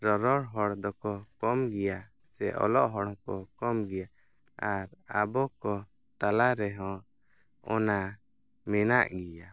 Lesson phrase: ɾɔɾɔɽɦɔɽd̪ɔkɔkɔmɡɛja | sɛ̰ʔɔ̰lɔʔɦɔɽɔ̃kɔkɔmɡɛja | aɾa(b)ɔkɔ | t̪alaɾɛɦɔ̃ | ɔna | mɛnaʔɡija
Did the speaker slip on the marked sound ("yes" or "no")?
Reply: no